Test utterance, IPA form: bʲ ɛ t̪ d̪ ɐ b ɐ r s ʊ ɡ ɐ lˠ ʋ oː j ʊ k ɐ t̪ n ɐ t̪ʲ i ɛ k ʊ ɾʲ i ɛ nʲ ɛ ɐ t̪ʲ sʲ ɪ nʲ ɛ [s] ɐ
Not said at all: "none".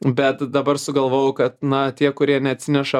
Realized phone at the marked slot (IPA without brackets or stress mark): ʃ